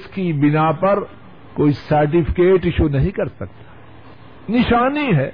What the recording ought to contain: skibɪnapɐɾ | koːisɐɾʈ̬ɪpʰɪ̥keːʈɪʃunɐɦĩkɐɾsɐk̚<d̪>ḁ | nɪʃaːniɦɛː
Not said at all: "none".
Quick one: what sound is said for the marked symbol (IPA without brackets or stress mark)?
t̪